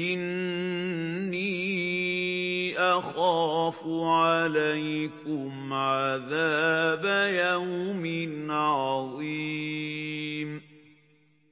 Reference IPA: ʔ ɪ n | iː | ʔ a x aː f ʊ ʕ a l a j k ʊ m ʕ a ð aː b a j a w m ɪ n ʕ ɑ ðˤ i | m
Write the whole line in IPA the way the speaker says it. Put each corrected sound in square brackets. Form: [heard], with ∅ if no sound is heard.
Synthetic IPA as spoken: ʔ ɪ n | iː | ʔ a x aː f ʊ ʕ a l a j k ʊ m ʕ a ð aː b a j a w m ɪ n ʕ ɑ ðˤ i | m